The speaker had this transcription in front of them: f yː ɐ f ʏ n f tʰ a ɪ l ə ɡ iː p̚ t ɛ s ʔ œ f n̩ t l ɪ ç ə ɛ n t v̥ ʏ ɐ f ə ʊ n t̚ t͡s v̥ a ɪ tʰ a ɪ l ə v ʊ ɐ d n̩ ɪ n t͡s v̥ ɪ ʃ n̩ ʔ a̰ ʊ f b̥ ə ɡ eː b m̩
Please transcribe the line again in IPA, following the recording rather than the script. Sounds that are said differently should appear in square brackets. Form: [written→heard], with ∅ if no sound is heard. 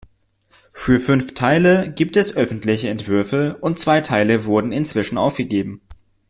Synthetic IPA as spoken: f yː ɐ f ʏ n f tʰ a ɪ l ə ɡ iː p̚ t ɛ s ʔ œ f n̩ t l ɪ ç ə ɛ n t v̥ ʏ ɐ f ə ʊ n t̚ t͡s v̥ a ɪ tʰ a ɪ l ə v ʊ ɐ d n̩ ɪ n t͡s v̥ ɪ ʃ n̩ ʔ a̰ ʊ f [b̥→ɡ̥] ə ɡ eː b m̩